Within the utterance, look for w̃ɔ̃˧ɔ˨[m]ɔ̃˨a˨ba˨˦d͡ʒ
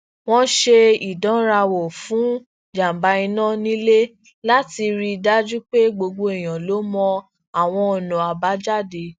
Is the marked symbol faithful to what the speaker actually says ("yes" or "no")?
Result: no